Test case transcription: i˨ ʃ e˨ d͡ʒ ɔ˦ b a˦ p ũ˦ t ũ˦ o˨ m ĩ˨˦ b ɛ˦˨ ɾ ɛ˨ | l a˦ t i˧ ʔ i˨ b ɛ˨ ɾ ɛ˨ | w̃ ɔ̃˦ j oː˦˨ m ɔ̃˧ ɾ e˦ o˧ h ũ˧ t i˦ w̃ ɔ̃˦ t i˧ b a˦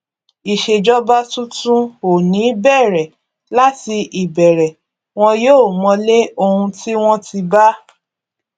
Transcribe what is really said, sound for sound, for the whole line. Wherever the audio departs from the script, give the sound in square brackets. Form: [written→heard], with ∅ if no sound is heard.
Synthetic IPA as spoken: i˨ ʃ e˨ d͡ʒ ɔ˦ b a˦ [p→t] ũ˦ t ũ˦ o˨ [m→n] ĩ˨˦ b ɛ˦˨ ɾ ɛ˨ | l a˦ t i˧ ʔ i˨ b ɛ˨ ɾ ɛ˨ | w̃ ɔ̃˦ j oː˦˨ m ɔ̃˧ [ɾ→l] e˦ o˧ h ũ˧ t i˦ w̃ ɔ̃˦ t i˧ b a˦